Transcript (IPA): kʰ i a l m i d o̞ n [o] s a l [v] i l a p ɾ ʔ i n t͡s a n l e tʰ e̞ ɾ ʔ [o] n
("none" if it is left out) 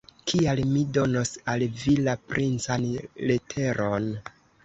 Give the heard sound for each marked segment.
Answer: o, v, o

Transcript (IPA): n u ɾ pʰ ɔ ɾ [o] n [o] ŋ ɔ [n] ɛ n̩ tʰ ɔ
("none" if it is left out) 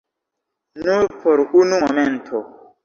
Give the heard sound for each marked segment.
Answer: u, u, m

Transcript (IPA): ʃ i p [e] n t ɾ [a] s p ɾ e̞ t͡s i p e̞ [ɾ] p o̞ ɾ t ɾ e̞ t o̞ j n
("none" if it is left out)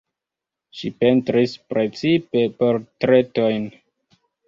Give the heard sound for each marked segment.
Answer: e, i, none

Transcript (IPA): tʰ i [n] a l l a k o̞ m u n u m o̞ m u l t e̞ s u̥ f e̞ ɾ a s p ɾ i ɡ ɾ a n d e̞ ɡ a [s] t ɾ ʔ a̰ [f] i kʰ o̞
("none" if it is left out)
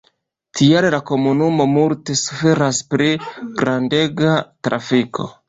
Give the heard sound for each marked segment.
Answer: none, none, f

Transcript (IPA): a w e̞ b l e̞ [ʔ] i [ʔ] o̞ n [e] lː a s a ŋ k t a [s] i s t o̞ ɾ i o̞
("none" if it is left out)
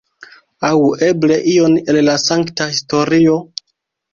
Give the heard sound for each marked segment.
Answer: ʔ, none, e, h

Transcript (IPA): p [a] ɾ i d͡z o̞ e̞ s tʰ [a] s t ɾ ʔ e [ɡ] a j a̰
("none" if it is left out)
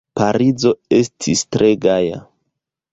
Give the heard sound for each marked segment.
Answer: a, i, ɡ

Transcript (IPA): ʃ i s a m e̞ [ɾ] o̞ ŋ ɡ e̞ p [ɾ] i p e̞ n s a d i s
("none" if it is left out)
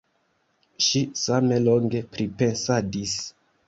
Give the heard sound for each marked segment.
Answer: l, ɾ

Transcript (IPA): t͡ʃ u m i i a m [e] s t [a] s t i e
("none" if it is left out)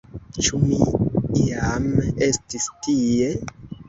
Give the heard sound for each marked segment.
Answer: e, i

